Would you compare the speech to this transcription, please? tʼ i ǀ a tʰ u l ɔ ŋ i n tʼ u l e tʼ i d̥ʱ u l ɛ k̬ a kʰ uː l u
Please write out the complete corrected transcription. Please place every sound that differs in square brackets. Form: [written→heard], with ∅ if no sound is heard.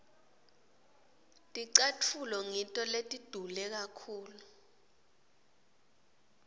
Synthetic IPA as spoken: tʼ i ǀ a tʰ u l ɔ ŋ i n tʼ [u→ɔ] l e tʼ i d̥ʱ u l ɛ k̬ a kʰ uː l u